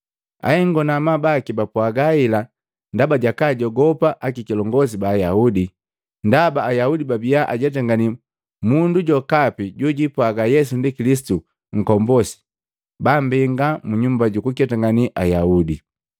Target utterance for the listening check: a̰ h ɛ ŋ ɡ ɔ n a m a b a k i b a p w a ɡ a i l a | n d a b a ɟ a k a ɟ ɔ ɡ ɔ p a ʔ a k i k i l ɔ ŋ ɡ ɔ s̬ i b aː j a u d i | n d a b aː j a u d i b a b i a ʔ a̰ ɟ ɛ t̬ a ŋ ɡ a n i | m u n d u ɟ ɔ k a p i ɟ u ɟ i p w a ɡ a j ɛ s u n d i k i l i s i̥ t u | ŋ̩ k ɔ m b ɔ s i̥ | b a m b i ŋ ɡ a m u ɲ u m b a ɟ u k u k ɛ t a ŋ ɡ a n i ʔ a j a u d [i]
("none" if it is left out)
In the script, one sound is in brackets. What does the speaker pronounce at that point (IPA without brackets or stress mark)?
i